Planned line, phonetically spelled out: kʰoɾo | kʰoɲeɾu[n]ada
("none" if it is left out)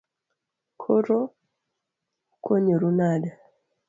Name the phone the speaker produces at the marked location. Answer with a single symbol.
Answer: n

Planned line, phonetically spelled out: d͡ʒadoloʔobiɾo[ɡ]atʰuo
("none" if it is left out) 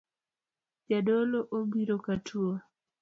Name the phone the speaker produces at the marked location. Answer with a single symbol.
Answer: k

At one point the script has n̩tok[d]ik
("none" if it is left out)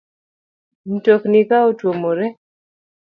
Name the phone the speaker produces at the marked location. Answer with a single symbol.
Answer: n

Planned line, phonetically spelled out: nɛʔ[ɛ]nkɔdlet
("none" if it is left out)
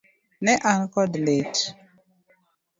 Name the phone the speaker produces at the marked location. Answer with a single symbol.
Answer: a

